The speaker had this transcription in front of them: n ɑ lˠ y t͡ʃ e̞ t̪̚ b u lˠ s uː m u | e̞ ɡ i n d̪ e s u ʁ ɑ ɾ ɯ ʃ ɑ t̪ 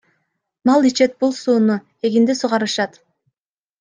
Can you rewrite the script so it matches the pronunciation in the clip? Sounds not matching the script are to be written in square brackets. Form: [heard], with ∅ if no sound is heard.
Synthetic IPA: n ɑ lˠ [i] t͡ʃ e̞ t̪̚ b u lˠ s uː [n] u | e̞ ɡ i n d̪ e s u ʁ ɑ ɾ ɯ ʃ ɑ t̪